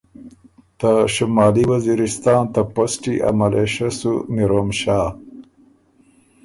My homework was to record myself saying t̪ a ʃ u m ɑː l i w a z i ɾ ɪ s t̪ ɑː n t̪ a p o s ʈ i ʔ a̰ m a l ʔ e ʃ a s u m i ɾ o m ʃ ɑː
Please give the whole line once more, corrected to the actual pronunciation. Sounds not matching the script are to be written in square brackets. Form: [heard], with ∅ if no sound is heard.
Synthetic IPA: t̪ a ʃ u m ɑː l i w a z i ɾ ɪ s t̪ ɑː n t̪ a p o s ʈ i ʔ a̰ m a l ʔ e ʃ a s u m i ɾ o m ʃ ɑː